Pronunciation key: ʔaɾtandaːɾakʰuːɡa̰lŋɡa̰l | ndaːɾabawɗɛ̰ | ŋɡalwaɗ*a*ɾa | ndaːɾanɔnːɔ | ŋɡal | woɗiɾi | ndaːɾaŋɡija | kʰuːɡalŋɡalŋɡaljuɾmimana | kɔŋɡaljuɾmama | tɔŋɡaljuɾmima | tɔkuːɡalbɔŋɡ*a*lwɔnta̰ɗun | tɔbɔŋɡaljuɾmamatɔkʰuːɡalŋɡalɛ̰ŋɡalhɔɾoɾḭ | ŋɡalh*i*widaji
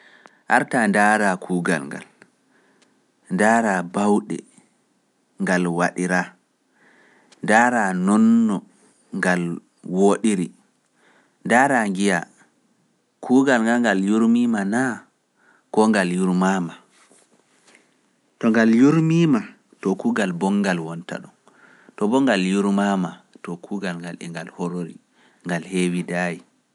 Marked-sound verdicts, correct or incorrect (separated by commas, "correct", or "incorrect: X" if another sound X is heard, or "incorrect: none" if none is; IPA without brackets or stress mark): incorrect: i, correct, incorrect: e